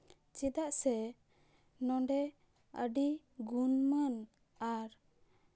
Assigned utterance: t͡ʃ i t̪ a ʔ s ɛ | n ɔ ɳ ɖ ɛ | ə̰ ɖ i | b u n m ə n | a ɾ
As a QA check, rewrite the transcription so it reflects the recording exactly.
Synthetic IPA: t͡ʃ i d̪ a ʔ s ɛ | n ɔ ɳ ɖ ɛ | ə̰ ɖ i | ɡ u n m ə n | a ɾ